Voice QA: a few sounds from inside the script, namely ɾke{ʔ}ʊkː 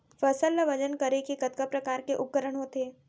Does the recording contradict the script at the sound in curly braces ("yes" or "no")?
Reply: no